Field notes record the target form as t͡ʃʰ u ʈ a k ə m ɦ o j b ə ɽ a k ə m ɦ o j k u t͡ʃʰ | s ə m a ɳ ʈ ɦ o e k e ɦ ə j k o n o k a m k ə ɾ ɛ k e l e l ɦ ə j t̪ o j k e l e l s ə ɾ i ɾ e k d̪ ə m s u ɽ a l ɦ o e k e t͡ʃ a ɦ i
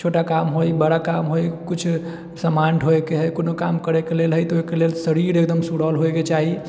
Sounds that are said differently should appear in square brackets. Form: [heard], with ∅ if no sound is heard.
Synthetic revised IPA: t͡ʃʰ [o] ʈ a k [a] m ɦ o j b ə ɽ a k [a] m ɦ o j k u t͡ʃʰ | s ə m a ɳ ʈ ɦ o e k e ɦ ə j k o n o k a m k ə ɾ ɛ k e l e l ɦ ə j t̪ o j k e l e l s ə ɾ i ɾ e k d̪ ə m s u ɽ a l ɦ o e k e t͡ʃ a ɦ i